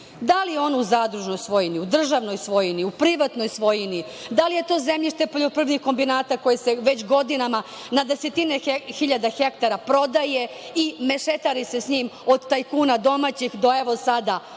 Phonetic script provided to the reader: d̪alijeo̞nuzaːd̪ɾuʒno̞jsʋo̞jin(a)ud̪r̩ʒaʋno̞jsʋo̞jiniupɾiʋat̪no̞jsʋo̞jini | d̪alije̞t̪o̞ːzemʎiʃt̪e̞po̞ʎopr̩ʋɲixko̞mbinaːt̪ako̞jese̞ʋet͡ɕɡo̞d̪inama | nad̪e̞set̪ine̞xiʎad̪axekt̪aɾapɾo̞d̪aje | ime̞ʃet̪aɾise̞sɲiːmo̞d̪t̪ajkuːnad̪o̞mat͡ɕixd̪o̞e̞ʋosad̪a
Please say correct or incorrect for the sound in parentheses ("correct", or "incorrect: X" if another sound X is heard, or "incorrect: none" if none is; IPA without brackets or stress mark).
incorrect: i